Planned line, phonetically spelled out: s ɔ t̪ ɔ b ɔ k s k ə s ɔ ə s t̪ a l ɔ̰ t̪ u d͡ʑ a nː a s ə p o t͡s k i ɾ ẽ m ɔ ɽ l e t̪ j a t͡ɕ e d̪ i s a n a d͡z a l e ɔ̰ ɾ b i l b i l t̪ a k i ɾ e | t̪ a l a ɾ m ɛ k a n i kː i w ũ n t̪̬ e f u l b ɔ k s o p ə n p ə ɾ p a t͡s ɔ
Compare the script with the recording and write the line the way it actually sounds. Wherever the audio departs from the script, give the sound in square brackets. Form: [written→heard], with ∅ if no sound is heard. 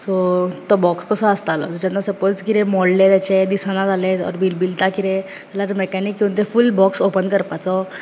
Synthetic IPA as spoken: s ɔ t̪ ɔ b ɔ k s k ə s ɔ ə s t̪ a l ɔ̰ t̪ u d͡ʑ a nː a s ə p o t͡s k i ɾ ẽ m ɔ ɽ l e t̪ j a t͡ɕ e d̪ i s a n a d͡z a l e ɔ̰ ɾ b i l b i l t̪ a k i ɾ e | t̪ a l a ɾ m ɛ k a n i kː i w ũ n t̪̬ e f u l b ɔ k s o p ə n [p→k] ə ɾ p a t͡s ɔ